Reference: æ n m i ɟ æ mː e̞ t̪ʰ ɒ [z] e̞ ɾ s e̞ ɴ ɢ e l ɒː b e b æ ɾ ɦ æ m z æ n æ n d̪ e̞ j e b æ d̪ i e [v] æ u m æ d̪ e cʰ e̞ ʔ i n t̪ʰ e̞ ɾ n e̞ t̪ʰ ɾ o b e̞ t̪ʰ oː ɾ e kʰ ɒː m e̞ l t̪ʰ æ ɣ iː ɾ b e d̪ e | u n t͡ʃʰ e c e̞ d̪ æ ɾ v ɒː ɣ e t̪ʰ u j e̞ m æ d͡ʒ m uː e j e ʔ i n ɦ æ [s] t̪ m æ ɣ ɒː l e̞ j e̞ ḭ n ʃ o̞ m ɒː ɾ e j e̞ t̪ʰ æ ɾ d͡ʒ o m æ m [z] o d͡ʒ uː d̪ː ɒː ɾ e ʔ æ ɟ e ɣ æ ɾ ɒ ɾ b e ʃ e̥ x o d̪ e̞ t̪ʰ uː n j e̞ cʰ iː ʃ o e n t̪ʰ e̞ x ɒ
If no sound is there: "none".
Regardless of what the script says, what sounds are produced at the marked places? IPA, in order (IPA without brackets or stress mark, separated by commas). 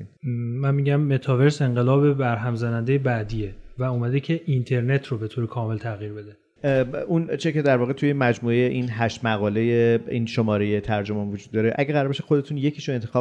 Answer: v, v, ʃ, v